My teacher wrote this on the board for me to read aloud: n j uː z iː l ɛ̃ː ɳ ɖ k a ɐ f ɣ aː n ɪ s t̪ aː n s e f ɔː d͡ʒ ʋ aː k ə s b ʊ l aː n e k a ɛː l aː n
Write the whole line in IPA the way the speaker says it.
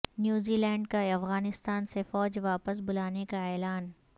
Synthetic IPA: n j uː z iː l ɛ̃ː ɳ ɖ k a ɐ f ɣ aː n ɪ s t̪ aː n s e f ɔː d͡ʒ ʋ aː p ə s b ʊ l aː n e k a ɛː l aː n